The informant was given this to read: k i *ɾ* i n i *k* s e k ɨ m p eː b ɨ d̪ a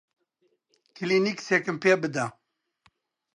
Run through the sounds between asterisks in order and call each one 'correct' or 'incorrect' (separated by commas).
incorrect, correct